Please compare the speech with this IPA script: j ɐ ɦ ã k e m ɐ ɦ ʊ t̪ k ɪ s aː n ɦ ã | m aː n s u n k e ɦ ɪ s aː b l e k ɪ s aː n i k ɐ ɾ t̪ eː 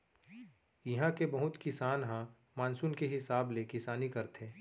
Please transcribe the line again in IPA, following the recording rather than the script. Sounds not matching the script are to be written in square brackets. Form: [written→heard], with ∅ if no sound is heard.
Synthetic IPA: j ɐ ɦ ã k e [m→b] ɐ ɦ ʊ t̪ k ɪ s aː n ɦ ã | m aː n s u n k e ɦ ɪ s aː b l e k ɪ s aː n i k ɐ ɾ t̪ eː